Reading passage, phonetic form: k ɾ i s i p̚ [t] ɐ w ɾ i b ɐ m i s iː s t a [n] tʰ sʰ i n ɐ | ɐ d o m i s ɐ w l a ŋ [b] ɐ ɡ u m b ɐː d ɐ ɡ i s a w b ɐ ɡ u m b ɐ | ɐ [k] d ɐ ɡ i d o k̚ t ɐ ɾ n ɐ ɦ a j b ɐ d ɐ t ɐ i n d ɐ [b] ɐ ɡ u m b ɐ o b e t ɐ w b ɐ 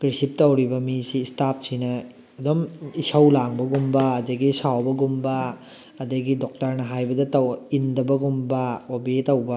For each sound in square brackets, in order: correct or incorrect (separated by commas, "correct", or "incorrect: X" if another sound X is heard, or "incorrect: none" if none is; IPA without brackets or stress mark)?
correct, incorrect: none, correct, incorrect: none, correct